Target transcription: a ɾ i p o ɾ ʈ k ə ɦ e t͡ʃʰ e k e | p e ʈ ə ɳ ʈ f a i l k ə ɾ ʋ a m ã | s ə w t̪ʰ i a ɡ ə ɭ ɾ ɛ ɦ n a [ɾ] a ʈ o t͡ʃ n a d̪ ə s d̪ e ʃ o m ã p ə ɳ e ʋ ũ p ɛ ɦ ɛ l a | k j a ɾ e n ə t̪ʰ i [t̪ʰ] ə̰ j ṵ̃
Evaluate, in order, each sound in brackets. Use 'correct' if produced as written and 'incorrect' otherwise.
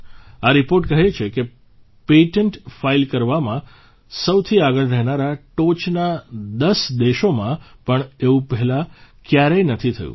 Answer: correct, correct

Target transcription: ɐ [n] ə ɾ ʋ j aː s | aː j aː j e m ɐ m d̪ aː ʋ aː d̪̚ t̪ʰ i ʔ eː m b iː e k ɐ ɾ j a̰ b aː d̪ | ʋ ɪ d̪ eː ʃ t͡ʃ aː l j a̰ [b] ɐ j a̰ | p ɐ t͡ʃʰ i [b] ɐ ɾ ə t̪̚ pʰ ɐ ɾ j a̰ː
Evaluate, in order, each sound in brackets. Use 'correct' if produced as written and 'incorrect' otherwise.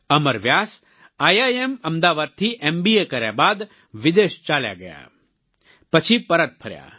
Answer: incorrect: m, incorrect: ɡ, incorrect: p

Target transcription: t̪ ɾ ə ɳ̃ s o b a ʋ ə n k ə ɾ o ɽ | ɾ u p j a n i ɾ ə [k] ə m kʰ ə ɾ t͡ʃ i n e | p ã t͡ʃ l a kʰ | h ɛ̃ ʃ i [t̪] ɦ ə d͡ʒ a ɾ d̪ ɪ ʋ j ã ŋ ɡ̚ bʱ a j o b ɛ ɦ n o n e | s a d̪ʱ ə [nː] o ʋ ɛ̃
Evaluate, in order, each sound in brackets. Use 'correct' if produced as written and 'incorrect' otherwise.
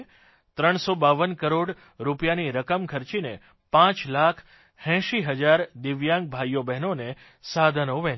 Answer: correct, incorrect: none, incorrect: n

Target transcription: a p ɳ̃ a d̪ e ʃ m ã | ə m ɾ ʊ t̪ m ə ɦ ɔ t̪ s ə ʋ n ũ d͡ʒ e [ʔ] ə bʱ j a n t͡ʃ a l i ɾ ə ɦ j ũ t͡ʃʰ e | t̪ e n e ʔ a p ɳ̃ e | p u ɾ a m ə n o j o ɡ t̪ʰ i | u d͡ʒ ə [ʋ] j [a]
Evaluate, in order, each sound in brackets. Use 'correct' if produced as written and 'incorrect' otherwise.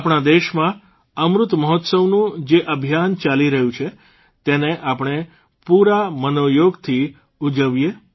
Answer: correct, correct, incorrect: e

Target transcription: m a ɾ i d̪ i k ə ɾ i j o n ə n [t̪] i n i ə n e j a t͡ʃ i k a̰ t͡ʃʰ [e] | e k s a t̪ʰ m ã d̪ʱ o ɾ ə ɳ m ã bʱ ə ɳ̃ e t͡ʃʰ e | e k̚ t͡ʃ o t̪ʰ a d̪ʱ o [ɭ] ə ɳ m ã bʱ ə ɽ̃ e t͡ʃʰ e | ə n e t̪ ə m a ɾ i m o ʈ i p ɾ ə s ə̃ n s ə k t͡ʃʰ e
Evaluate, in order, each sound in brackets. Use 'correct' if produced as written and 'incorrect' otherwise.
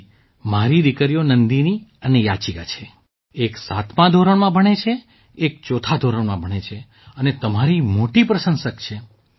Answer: incorrect: d̪, correct, incorrect: ɾ

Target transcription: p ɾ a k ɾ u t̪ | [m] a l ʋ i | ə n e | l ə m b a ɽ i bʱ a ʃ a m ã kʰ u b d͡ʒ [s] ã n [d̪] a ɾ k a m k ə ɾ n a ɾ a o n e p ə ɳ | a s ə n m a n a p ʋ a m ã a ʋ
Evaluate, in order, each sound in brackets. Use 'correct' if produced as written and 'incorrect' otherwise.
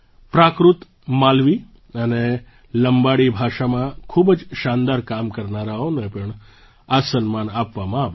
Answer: correct, incorrect: ʃ, correct

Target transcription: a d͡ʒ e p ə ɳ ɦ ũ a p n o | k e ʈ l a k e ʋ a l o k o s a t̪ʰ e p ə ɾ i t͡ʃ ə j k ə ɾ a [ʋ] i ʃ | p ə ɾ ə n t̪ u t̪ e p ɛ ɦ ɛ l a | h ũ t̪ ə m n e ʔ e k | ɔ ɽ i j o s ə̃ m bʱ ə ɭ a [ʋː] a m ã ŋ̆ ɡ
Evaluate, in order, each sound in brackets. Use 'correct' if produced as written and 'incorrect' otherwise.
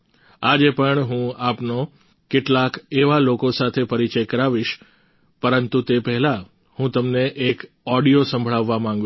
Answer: correct, correct

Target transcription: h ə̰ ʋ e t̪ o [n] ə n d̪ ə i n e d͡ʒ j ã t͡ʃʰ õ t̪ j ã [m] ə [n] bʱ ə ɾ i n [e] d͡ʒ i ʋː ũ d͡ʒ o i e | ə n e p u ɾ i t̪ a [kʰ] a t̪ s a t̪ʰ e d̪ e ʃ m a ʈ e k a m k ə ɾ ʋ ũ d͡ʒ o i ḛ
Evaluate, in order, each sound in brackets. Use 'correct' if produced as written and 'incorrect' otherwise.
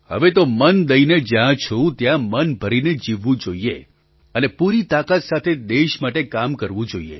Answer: incorrect: m, correct, correct, correct, incorrect: k

